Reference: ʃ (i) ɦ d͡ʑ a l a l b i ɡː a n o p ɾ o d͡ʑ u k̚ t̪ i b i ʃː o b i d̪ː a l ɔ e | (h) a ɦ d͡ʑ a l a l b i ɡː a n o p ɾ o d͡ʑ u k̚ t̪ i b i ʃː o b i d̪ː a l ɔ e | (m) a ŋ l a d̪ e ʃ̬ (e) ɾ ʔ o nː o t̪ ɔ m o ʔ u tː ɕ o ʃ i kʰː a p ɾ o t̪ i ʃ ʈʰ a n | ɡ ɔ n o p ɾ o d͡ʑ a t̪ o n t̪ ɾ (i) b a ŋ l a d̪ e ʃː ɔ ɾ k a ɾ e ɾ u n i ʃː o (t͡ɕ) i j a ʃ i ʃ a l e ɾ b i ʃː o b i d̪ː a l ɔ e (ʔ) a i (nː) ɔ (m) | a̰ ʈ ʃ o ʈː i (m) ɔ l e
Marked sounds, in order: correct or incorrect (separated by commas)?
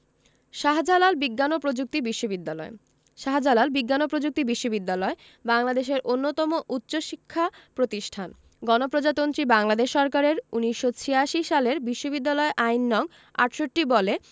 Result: incorrect, incorrect, incorrect, correct, correct, incorrect, correct, correct, incorrect, incorrect